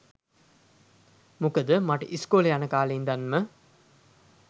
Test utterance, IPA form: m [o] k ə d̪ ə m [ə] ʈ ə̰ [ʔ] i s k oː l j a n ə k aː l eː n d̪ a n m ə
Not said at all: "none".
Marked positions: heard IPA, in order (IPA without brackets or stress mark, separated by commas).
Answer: u, a, ʔ